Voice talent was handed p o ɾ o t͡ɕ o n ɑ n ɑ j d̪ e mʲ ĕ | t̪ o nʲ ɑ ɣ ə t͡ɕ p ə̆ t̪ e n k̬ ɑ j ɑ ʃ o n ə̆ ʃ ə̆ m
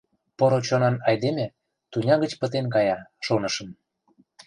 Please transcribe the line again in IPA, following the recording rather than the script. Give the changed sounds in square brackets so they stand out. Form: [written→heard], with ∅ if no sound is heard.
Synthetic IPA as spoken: p o ɾ o t͡ɕ o n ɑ n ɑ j d̪ e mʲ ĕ | t̪ [o→u] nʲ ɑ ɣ ə t͡ɕ p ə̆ t̪ e n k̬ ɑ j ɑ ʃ o n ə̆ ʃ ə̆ m

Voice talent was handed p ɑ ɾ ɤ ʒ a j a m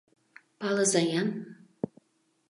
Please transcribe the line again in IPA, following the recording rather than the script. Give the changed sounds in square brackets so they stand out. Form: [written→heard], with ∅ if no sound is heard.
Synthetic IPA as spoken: p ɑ [ɾ→l] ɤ [ʒ→z] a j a [m→n]

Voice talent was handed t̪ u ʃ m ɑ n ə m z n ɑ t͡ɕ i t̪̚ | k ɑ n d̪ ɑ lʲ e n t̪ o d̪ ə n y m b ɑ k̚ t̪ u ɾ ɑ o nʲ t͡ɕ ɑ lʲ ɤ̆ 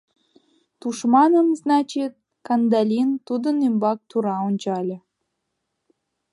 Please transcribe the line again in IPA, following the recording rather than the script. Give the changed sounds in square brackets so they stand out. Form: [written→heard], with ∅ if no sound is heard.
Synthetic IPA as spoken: t̪ u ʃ m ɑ n ə m z n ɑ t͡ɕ i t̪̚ | k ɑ n d̪ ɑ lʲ [e→i] n t̪ [o→u] d̪ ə n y m b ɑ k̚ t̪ u ɾ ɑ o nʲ t͡ɕ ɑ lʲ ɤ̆

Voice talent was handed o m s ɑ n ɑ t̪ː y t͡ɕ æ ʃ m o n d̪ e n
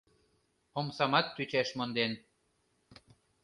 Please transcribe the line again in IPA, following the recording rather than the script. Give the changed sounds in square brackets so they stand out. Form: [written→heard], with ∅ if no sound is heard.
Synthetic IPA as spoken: o m s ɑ [n→m] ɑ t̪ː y t͡ɕ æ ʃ m o n d̪ e n

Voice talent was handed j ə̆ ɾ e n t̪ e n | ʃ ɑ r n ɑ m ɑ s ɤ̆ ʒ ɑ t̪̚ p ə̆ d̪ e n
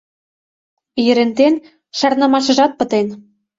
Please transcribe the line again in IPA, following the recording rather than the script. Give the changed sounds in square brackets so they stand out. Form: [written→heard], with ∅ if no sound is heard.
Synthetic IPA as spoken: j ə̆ ɾ e n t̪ e n | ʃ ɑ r n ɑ m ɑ [s→ʃ] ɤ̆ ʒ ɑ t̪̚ p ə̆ [d̪→t̪] e n

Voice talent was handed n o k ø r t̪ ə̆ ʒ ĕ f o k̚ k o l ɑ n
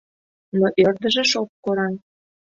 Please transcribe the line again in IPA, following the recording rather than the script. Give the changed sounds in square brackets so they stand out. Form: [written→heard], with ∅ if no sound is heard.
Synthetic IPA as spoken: n o [k→ʔ] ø r [t̪→d̪] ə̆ ʒ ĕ [f→ʃ] o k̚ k o [l→ɾ] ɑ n

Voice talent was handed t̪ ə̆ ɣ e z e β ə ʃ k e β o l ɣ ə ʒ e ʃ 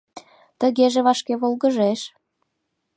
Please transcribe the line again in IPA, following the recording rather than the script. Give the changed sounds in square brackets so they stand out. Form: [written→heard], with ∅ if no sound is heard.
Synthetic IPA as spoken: t̪ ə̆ ɣ e [z→ʒ] e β [ə→ɑ] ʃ k e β o l ɣ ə ʒ e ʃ

